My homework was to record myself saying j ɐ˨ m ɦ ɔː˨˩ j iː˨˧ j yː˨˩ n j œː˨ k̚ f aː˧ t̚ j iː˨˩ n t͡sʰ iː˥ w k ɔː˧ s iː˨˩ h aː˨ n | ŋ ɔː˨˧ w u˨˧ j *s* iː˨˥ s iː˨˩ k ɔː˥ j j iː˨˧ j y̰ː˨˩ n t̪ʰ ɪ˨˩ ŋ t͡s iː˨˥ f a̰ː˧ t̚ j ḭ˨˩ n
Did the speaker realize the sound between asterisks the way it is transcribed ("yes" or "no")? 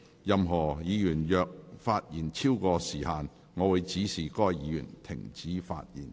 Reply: no